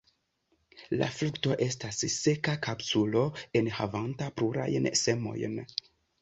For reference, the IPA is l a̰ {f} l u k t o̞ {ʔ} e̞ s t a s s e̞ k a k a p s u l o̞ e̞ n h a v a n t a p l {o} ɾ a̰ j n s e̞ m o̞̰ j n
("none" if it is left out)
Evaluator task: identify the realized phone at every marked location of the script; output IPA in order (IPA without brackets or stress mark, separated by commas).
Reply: f, ʔ, u